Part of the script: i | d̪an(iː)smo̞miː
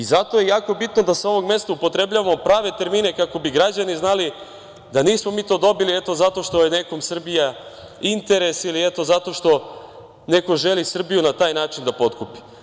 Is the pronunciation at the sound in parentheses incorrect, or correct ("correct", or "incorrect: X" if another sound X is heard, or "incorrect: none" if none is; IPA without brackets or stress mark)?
correct